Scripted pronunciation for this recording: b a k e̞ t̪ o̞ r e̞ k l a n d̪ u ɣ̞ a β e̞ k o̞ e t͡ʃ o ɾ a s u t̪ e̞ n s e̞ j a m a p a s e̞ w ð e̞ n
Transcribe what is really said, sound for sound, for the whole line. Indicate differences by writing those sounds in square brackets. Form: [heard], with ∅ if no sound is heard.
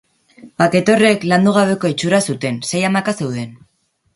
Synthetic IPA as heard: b a k e̞ t̪ o̞ r e̞ k l a n d̪ u ɣ̞ a β e̞ k o̞ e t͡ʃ [u] ɾ a s u t̪ e̞ n s e̞ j a m a [k] a s e̞ w ð e̞ n